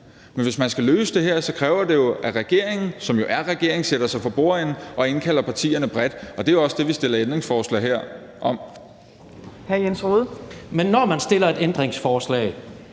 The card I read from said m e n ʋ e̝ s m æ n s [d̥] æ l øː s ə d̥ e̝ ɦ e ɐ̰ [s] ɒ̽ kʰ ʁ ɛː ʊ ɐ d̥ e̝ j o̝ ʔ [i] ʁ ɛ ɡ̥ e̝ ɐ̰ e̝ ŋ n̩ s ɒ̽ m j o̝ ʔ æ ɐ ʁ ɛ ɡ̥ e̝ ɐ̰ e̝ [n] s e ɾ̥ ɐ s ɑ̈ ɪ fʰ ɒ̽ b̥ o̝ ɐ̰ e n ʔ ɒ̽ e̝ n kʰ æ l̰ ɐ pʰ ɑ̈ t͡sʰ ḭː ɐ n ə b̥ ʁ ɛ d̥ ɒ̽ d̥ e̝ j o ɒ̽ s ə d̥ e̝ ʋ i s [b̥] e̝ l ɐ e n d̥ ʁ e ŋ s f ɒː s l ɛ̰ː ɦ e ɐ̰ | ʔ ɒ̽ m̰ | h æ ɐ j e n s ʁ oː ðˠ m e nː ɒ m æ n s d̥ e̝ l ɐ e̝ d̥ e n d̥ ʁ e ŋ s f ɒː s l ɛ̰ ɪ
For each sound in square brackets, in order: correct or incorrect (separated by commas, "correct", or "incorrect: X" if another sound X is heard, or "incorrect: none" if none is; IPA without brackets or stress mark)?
incorrect: ɡ̥, correct, incorrect: æ, incorrect: ŋ, incorrect: d̥